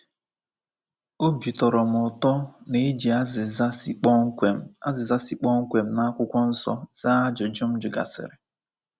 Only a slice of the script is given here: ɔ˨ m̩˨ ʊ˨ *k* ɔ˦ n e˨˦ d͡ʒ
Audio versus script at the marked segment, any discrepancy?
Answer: yes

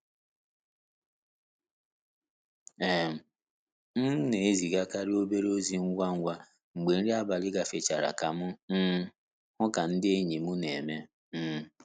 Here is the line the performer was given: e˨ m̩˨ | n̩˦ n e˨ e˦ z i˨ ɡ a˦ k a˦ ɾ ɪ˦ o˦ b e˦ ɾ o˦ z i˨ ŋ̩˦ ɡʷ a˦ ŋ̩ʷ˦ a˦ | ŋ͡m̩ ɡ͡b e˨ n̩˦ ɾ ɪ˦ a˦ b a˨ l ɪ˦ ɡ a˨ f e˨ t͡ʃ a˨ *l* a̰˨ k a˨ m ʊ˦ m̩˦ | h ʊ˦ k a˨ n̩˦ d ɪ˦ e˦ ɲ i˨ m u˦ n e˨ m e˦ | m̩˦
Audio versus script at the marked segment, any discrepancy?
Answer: yes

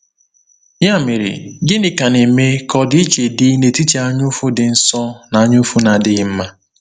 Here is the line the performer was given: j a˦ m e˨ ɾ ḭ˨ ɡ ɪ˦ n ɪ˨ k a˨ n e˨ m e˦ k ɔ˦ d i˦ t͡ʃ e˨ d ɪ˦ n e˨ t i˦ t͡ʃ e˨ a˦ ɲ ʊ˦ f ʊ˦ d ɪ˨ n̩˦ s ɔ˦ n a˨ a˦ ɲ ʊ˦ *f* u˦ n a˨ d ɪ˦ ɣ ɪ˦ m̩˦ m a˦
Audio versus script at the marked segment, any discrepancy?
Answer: no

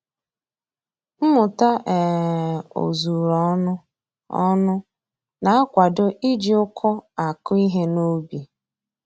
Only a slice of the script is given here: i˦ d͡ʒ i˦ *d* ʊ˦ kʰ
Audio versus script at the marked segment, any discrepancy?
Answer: yes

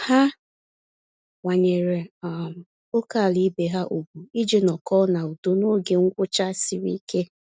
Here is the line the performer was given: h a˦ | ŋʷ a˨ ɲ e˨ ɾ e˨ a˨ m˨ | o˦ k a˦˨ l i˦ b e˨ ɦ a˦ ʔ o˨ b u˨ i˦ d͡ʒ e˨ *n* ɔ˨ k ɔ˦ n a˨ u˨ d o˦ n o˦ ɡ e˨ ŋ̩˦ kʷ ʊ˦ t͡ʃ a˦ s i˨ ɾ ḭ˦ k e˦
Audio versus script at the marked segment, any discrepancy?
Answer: no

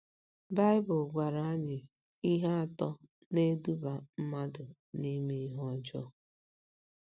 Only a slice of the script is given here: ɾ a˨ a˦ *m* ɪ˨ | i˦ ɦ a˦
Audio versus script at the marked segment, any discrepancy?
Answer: yes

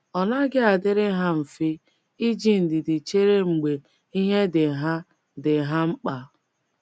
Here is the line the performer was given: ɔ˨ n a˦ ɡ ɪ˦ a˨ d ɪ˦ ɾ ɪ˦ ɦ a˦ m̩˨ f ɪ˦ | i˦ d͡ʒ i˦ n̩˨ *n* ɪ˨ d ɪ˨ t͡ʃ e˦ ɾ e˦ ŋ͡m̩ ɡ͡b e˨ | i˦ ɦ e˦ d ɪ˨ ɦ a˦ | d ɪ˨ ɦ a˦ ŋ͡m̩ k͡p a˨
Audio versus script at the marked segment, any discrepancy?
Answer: yes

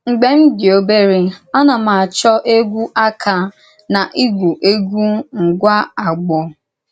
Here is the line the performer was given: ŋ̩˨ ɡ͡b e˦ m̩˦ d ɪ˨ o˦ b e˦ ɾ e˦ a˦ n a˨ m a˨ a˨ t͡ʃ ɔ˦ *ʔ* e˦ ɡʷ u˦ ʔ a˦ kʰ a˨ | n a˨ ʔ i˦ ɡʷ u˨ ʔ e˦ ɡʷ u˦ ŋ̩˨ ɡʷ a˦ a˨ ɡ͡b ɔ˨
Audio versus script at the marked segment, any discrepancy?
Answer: no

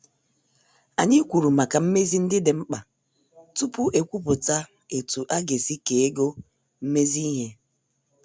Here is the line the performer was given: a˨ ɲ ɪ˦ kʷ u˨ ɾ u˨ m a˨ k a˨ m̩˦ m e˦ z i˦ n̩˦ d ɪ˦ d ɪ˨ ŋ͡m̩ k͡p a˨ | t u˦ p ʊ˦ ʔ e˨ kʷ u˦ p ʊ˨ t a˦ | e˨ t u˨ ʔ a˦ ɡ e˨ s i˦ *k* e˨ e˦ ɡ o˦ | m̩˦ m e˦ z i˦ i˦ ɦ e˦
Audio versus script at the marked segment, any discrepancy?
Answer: no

